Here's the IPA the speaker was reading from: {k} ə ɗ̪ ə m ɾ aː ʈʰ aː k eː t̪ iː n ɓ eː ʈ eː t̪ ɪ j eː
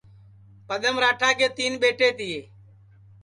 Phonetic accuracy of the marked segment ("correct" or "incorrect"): incorrect